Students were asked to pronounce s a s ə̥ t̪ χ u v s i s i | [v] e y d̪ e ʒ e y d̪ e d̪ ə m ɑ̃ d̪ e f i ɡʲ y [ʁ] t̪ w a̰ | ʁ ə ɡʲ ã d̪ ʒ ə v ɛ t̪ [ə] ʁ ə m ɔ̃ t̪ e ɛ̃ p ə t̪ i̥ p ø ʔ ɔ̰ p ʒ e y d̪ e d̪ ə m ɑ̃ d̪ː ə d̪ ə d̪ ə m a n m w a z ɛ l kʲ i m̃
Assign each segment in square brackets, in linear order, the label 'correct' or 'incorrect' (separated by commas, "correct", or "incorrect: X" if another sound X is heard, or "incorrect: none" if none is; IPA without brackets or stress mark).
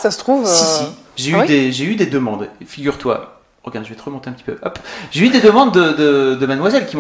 incorrect: ʒ, correct, correct